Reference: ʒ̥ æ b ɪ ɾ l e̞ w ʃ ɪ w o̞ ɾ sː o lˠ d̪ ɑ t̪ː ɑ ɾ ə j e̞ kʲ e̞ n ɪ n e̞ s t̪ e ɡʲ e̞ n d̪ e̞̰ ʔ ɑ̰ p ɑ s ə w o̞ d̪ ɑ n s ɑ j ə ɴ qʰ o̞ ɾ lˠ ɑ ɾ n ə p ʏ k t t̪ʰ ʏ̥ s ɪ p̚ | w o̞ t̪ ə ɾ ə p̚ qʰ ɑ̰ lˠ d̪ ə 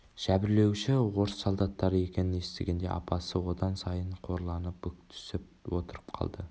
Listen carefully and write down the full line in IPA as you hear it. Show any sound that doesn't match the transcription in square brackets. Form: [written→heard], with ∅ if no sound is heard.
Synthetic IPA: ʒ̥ æ b ɪ ɾ l e̞ w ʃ ɪ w o̞ ɾ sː o lˠ d̪ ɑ t̪ː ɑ ɾ ə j e̞ kʲ e̞ n ɪ n e̞ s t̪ e ɡʲ e̞ n d̪ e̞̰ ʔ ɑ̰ p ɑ s ə w o̞ d̪ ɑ n s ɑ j ə ɴ qʰ o̞ ɾ lˠ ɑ [ɾ→∅] n ə p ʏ k t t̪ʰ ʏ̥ s ɪ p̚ | w o̞ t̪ ə ɾ ə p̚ qʰ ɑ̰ lˠ d̪ ə